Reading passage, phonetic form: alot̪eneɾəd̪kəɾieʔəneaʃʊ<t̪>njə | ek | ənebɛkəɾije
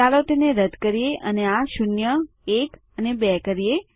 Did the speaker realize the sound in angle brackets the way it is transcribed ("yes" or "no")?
no